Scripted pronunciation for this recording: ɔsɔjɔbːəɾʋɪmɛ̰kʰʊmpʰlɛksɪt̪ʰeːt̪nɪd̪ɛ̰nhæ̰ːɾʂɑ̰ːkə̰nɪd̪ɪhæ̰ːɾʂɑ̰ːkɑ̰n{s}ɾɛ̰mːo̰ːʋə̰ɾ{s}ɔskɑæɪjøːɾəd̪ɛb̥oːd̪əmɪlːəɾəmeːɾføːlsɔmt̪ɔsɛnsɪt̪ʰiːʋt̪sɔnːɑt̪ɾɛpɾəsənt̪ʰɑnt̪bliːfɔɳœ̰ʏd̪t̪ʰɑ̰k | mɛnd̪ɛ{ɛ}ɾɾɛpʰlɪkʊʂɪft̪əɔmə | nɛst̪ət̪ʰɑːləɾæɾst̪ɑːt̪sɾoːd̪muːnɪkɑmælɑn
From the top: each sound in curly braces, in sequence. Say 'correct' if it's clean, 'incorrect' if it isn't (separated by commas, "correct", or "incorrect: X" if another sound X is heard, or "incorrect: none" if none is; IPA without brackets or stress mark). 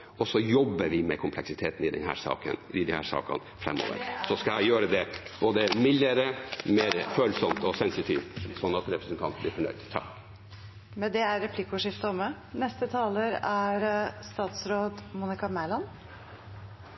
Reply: incorrect: f, correct, incorrect: æ